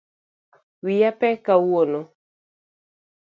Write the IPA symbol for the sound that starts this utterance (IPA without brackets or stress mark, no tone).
w